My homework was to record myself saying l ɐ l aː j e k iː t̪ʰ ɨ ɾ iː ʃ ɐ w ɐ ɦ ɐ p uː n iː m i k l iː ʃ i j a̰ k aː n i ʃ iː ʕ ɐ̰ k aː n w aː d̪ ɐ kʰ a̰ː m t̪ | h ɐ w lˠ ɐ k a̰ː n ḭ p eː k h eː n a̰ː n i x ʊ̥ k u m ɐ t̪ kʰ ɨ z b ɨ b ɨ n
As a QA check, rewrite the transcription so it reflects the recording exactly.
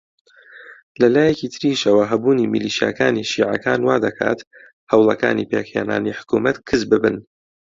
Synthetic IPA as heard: l ɐ l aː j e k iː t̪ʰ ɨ ɾ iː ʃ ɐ w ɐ ɦ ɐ b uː n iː m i l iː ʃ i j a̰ k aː n i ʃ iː ʕ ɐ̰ k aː n w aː d̪ ɐ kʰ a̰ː t̪ | h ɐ w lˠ ɐ k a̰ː n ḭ p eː k h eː n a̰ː n i ħ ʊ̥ k u m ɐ t̪ kʰ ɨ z b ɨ b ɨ n